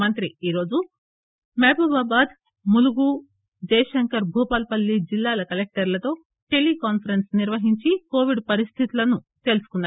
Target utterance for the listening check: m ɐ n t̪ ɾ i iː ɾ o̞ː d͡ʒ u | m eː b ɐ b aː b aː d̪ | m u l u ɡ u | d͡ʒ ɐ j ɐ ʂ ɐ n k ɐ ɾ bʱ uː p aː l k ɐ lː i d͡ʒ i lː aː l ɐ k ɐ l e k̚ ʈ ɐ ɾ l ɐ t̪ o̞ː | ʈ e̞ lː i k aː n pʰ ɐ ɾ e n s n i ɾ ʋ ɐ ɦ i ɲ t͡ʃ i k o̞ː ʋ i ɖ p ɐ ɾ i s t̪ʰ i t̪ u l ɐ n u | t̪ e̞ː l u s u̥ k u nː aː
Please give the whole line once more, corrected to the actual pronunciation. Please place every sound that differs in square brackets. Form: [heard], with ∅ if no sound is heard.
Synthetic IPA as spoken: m ɐ n t̪ ɾ i iː ɾ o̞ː d͡ʒ u | m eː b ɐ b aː b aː d̪ | m u l u ɡ u | d͡ʒ ɐ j ɐ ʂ ɐ [ŋ] k ɐ ɾ bʱ uː p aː l [p] ɐ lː i d͡ʒ i lː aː l ɐ k ɐ l e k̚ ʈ ɐ ɾ l ɐ t̪ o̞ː | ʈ e̞ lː i k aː n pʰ ɐ ɾ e n s n i ɾ ʋ ɐ ɦ i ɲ t͡ʃ i k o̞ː ʋ i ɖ p ɐ ɾ i s t̪ʰ i t̪ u l ɐ n u | t̪ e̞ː l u s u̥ k u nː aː